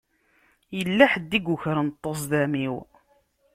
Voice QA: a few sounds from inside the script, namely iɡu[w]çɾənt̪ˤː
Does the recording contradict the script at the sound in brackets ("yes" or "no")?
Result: yes